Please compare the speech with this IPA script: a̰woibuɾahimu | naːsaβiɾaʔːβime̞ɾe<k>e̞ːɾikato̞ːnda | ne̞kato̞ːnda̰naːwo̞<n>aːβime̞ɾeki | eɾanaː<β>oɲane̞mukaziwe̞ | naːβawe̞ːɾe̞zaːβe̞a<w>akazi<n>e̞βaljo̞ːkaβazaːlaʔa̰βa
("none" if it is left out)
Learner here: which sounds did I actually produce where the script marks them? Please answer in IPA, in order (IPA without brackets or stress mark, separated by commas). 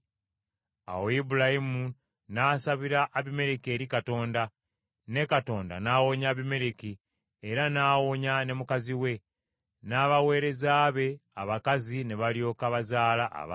k, ɲ, w, β, n